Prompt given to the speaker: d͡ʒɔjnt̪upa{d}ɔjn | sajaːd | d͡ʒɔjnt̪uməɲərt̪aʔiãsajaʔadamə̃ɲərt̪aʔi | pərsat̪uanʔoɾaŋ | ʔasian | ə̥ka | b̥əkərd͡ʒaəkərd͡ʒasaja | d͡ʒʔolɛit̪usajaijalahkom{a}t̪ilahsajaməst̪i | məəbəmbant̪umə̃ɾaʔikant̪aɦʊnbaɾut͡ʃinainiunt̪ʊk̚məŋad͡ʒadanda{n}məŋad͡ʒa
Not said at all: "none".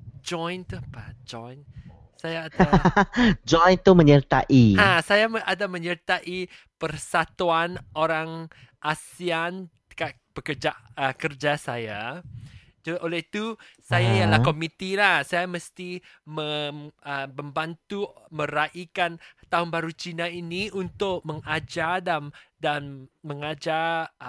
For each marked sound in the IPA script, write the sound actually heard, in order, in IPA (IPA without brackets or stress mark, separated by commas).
d͡ʒ, i, n